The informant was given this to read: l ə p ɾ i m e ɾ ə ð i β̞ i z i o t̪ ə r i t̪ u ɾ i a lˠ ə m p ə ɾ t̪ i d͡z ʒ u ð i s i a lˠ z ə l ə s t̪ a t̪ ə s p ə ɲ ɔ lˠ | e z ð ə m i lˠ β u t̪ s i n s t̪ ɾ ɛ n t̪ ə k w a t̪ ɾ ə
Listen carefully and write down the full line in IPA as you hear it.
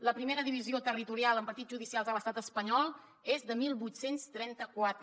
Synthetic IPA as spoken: l ə p ɾ i m e ɾ ə ð i β̞ i z i o t̪ ə r i t̪ u ɾ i a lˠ ə m p ə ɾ t̪ i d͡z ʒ u ð i s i a lˠ z ə l ə s t̪ a t̪ ə s p ə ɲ ɔ lˠ | e z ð ə m i lˠ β u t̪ s e n s t̪ ɾ ɛ n t̪ ə k w a t̪ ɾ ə